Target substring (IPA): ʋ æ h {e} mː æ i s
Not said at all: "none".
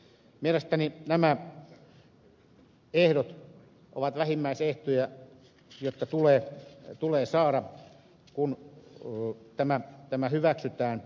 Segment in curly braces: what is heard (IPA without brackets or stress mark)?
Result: i